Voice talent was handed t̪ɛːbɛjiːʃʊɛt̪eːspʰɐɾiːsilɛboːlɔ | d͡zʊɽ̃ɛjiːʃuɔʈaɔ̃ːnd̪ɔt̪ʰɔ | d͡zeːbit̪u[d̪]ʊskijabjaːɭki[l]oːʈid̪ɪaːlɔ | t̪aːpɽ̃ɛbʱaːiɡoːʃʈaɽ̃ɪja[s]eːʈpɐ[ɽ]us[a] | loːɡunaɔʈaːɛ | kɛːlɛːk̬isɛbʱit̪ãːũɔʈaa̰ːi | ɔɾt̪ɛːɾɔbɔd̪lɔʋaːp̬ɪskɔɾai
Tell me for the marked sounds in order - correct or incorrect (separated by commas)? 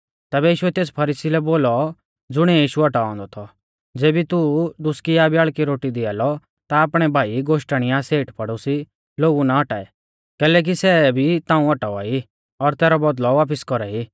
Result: correct, incorrect, correct, correct, incorrect